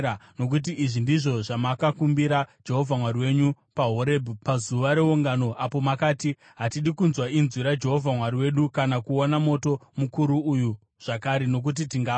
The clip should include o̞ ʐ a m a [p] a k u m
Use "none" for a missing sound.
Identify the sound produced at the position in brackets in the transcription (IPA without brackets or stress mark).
k